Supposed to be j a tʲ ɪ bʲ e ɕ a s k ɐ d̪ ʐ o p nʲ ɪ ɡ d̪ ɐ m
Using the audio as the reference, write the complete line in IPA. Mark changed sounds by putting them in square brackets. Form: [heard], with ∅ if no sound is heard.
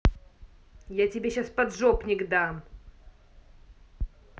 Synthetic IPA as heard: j a tʲ ɪ bʲ e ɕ a s [p] ɐ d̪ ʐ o p nʲ ɪ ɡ d̪ [a] m

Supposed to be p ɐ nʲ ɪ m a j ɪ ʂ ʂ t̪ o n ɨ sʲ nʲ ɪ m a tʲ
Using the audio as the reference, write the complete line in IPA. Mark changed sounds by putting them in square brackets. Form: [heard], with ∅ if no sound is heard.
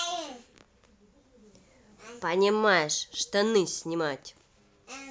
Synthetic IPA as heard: p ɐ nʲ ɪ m a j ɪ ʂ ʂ t̪ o n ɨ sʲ nʲ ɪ m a tʲ

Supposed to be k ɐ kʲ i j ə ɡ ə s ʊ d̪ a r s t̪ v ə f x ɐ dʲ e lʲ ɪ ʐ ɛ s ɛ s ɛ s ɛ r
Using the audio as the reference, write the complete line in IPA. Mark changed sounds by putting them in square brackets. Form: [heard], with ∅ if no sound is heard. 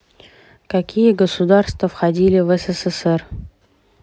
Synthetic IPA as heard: k ɐ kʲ i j ə ɡ ə s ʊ d̪ a r s t̪ v ə f x ɐ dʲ [i] lʲ ɪ [v] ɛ s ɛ s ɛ s ɛ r

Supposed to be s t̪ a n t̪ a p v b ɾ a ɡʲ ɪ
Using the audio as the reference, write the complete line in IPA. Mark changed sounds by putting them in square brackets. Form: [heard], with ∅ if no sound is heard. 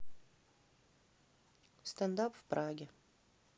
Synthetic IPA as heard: s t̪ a n [d̪] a p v [p] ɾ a ɡʲ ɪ

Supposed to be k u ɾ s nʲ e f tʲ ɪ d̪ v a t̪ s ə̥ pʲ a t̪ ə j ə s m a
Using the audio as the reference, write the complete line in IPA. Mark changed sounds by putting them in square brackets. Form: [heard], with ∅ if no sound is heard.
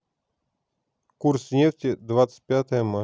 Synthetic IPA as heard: k u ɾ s nʲ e f tʲ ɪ d̪ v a t̪ s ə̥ pʲ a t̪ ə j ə [∅] m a

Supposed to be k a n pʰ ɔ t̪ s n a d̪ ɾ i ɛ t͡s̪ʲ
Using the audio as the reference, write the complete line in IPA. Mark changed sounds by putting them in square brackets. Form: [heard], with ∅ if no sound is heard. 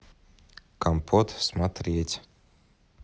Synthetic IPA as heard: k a [m] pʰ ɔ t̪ s [m] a [t̪] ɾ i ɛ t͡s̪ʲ

